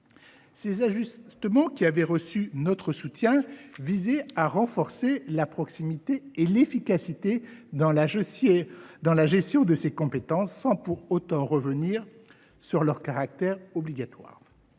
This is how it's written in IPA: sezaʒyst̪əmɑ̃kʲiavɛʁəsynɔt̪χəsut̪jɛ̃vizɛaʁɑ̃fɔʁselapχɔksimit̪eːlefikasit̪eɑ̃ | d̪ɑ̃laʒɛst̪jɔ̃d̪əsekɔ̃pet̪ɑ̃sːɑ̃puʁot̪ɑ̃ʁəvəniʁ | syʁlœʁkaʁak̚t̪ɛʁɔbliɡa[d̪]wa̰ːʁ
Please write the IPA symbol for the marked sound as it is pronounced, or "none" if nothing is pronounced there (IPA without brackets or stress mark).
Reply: t̪